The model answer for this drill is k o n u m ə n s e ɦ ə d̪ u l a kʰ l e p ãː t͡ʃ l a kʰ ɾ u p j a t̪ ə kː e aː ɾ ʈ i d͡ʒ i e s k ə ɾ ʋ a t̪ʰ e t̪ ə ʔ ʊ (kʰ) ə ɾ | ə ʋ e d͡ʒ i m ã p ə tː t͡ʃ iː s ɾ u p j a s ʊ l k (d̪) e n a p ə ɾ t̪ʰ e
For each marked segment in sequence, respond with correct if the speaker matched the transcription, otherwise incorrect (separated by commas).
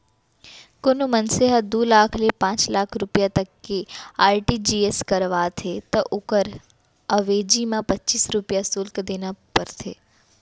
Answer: incorrect, correct